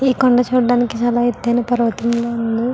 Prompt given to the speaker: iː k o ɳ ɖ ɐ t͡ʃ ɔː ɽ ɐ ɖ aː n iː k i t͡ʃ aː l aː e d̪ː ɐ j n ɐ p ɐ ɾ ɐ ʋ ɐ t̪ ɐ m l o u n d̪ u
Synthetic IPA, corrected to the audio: iː k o ɳ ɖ ɐ t͡ʃ uː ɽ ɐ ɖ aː n i k i t͡ʃ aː l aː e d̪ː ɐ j n ɐ p ɐ ɾ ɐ ʋ ɐ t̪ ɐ m l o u n d̪ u